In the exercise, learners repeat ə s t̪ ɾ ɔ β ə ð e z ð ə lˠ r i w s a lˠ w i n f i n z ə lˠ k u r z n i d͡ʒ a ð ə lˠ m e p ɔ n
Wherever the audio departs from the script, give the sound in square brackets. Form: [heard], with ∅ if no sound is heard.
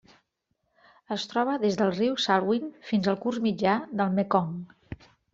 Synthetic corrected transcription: ə s t̪ ɾ ɔ β ə ð e z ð ə lˠ r i w s a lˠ w i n f i n z ə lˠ k u r z [m] i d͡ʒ a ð ə lˠ m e [k] ɔ [ŋ]